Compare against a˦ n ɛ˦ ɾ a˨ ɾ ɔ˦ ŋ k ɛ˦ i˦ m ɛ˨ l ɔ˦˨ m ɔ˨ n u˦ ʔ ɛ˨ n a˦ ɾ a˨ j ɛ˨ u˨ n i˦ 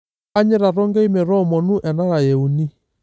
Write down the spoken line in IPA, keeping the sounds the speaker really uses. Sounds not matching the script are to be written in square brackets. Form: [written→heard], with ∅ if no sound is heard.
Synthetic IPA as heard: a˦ [n→ɲ] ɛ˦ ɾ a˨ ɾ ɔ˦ ŋ [k→ɡ] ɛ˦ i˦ m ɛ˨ [l→ɾ] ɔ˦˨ m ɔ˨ n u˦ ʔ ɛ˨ n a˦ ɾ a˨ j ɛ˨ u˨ n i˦